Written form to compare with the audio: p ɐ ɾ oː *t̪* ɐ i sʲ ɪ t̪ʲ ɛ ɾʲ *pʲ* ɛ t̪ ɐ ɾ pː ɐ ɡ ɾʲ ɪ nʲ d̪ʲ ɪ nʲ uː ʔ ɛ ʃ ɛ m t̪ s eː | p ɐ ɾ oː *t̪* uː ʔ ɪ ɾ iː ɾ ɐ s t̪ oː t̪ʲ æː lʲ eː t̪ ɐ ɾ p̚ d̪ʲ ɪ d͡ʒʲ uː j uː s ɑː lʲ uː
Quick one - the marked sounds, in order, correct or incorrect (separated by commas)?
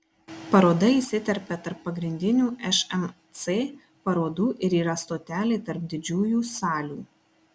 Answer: incorrect, correct, incorrect